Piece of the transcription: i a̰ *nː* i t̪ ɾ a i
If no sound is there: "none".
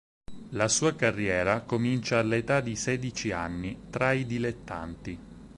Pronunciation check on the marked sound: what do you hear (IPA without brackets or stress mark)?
nː